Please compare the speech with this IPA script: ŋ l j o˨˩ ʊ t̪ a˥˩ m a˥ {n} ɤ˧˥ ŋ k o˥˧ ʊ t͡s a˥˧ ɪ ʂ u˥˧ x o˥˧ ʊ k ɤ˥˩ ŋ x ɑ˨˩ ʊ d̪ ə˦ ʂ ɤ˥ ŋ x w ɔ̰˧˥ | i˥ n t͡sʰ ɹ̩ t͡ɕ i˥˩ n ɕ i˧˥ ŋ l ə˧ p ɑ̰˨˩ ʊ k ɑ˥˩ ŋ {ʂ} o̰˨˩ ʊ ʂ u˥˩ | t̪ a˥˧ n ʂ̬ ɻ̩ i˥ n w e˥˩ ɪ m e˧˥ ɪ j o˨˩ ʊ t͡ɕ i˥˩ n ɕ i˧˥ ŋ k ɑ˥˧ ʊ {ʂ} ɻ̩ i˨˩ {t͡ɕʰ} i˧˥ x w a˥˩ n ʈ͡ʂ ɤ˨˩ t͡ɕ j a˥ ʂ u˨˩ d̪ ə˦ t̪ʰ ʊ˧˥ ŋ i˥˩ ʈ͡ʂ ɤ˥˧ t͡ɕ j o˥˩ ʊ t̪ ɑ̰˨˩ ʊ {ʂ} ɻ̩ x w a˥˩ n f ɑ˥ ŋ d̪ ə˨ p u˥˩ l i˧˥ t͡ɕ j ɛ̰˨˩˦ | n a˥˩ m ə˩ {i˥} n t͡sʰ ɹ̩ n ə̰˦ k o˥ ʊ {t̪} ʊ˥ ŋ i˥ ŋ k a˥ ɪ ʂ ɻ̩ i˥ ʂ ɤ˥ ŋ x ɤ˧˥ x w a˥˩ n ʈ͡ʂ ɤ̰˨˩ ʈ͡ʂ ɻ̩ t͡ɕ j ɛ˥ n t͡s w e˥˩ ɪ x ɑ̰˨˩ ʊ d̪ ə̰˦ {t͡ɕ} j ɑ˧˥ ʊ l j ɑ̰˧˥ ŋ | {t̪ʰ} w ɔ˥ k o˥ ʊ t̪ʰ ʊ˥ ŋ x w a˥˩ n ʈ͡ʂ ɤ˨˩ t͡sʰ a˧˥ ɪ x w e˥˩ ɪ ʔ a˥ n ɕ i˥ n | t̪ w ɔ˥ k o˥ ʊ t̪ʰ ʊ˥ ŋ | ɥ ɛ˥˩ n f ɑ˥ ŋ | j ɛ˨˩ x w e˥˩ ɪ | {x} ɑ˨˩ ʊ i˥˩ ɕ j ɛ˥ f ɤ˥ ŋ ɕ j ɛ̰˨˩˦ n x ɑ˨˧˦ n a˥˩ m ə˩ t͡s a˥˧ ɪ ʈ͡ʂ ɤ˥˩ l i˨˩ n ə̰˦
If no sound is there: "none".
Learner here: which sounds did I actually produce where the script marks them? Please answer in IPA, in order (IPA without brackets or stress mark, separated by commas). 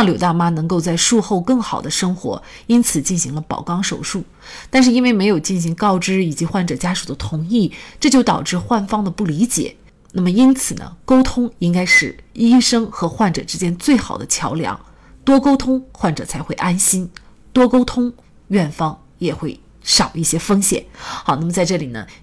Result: n, ʂ, ʈ͡ʂ, t͡ɕ, ʈ͡ʂ, i˥, t̪ʰ, t͡ɕʰ, t̪, ʂ